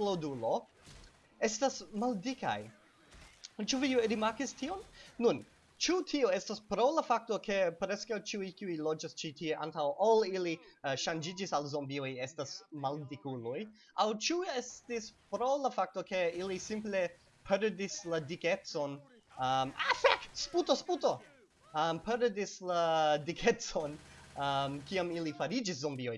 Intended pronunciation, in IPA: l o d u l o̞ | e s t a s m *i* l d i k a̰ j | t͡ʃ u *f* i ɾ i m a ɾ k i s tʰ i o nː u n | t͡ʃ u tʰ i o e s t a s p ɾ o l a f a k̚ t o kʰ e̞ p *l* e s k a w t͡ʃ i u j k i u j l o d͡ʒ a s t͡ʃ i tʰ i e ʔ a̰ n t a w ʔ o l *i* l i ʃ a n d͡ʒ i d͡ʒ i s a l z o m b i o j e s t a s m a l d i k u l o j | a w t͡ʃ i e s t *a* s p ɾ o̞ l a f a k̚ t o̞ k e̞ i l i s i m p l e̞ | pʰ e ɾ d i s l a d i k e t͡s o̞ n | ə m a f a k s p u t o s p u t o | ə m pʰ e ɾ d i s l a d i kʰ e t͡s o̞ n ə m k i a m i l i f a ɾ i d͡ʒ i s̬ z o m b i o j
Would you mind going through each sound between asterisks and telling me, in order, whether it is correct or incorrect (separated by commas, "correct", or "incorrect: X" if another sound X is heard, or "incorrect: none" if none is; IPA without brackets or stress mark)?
incorrect: a, incorrect: v, incorrect: ɾ, correct, incorrect: i